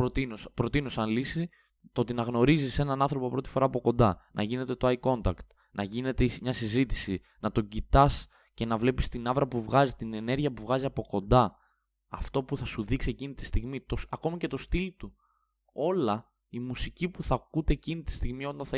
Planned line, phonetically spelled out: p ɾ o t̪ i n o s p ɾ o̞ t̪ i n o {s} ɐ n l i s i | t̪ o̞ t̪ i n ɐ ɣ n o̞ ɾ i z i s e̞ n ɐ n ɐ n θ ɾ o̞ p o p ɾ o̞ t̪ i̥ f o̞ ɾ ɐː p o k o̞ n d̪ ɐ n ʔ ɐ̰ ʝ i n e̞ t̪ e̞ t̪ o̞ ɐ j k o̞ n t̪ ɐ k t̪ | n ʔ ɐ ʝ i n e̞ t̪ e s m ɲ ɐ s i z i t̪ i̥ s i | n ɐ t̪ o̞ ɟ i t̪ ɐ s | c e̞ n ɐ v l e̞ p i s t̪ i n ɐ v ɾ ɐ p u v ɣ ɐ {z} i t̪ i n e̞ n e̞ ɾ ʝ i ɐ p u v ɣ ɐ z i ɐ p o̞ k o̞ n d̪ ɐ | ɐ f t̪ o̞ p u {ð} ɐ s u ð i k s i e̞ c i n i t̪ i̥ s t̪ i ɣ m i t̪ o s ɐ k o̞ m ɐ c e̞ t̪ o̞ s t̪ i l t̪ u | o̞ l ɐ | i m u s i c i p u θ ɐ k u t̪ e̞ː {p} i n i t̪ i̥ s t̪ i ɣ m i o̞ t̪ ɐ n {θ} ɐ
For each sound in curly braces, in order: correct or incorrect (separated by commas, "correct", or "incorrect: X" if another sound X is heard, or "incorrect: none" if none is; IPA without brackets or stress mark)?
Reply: correct, correct, incorrect: θ, incorrect: c, correct